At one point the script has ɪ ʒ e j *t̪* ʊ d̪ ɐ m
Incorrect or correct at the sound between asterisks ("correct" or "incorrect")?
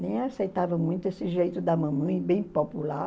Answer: correct